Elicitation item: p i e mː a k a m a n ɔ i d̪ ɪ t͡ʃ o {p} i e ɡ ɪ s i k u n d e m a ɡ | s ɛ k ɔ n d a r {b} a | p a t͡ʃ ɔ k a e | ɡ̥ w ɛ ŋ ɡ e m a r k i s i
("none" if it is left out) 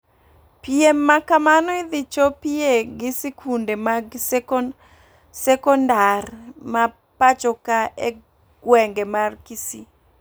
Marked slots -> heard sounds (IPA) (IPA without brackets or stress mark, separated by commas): p, m